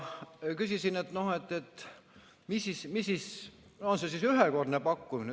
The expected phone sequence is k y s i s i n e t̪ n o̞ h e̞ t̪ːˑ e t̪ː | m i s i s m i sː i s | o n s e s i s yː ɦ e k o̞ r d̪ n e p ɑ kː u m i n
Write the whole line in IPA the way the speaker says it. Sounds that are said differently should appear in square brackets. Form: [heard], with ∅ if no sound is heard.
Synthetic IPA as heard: k y s i s i n e t̪ n o̞ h e̞ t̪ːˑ e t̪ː | m i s i s m i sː i s | o n s e s i s [y] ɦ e k o̞ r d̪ n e p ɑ kː u m i n